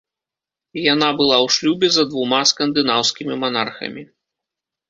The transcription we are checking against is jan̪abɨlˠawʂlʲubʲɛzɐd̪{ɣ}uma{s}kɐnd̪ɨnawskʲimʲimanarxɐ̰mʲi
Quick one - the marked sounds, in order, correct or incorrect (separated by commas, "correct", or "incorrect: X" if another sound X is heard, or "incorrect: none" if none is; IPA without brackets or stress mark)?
incorrect: v, correct